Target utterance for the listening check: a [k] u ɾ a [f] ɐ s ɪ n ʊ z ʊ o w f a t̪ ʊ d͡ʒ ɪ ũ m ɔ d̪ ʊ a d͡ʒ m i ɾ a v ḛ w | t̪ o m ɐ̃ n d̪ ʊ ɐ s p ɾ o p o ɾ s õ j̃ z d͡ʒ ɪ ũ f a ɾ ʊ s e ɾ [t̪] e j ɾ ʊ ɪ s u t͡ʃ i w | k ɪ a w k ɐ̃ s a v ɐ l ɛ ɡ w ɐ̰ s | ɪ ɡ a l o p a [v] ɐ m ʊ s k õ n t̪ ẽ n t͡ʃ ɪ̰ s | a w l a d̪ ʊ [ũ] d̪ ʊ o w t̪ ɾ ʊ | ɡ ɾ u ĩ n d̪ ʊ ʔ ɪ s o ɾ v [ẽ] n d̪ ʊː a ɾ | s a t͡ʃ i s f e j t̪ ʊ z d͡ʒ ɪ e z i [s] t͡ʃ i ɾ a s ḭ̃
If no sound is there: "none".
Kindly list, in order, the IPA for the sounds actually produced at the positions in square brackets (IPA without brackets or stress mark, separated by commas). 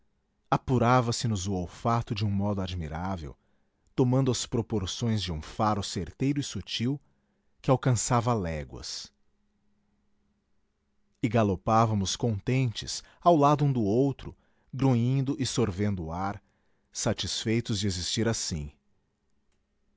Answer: p, v, t̪, v, ũ, ẽ, s